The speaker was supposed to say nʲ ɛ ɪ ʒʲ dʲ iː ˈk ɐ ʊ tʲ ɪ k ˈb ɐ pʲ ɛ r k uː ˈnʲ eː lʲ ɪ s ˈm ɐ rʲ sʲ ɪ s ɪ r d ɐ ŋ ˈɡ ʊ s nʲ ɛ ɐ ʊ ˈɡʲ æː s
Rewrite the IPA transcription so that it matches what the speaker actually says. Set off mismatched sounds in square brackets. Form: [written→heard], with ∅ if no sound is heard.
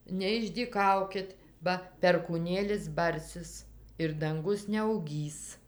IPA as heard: nʲ ɛ ɪ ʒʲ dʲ iː ˈk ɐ ʊ [tʲ→kʲ] ɪ [k→t] ˈb ɐ pʲ ɛ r k uː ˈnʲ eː lʲ ɪ s [ˈm→ˈb] ɐ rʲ sʲ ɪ s ɪ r d ɐ ŋ ˈɡ ʊ s nʲ ɛ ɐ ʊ ˈɡʲ [æː→iː] s